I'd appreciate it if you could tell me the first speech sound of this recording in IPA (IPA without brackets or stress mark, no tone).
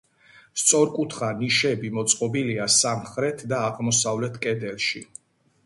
s